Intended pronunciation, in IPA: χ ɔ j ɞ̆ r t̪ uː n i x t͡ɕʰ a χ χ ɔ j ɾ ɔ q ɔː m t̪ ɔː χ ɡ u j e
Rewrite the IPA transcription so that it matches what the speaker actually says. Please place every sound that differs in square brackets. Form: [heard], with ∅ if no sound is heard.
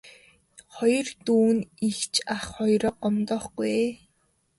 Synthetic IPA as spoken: χ ɔ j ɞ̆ r t̪ uː n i x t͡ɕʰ a χ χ ɔ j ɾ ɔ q [ɔ] m t̪ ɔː χ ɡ u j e